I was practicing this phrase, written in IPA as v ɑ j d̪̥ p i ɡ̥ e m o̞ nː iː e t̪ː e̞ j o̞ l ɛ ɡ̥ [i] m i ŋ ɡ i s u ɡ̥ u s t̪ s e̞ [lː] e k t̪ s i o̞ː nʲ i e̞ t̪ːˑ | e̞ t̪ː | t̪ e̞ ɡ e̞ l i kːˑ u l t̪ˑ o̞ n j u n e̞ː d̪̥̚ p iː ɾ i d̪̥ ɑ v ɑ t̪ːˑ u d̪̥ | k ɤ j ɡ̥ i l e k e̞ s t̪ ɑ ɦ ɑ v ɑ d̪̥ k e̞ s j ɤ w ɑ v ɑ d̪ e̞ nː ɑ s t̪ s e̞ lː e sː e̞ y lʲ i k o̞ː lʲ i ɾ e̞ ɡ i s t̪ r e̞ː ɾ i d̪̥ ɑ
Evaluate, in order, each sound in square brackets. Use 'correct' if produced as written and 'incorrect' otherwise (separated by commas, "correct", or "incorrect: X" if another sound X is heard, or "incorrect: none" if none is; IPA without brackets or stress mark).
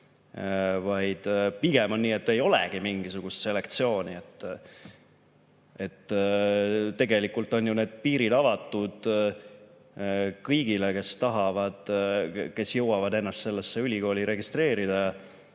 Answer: correct, incorrect: l